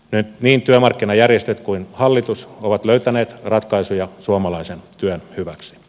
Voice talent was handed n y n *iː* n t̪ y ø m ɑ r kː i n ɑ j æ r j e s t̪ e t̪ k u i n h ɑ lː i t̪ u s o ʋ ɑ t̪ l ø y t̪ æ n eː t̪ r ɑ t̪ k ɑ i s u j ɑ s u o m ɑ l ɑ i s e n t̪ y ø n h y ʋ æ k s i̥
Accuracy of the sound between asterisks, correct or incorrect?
correct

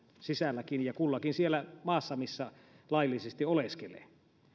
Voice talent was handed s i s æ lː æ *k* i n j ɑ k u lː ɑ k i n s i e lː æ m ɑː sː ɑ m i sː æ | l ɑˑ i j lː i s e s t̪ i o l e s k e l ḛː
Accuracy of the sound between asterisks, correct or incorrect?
correct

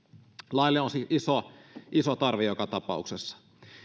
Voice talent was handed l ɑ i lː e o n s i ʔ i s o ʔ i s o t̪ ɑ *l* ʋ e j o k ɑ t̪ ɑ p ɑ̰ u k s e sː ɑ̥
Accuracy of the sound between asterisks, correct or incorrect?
incorrect: r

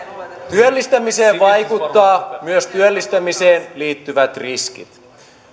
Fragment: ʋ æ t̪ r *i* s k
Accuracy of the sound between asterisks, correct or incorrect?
correct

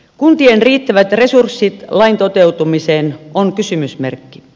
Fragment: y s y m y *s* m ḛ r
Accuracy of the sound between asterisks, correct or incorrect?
correct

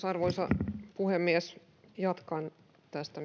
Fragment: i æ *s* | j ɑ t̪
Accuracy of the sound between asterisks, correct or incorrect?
correct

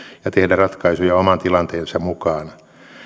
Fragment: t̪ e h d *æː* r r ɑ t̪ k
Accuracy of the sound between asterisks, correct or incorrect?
incorrect: æ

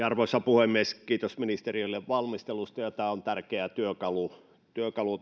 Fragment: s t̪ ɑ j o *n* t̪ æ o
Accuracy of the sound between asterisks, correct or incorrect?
incorrect: none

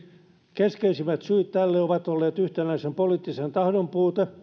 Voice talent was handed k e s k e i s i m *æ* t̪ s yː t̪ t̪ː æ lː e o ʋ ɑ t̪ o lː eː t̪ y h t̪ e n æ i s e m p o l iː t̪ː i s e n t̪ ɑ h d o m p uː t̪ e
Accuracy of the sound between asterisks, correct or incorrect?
correct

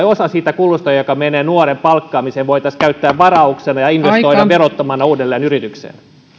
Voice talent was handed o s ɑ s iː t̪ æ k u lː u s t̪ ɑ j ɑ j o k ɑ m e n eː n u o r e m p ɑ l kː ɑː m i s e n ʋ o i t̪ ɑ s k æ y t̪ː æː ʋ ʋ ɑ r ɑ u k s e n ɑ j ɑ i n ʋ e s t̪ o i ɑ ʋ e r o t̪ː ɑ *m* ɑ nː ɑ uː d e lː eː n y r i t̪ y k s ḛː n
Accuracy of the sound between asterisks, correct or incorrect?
correct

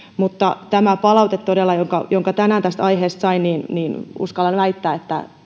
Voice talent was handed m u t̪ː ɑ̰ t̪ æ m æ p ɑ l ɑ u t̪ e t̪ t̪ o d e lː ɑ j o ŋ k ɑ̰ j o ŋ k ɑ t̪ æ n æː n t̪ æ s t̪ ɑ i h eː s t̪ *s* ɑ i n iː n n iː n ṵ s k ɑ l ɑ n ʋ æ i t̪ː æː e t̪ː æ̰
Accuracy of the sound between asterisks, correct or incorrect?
correct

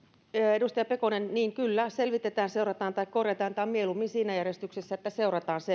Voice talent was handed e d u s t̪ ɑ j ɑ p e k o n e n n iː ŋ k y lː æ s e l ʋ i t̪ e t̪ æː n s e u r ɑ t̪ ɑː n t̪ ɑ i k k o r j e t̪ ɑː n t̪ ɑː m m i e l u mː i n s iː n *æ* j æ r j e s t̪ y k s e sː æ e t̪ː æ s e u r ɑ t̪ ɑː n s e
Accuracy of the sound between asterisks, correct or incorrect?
correct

